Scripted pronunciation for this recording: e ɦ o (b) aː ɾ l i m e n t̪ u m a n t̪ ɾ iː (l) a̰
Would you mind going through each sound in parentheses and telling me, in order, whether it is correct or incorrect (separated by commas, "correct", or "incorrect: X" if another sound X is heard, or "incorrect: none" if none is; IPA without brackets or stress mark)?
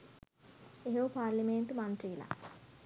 incorrect: p, correct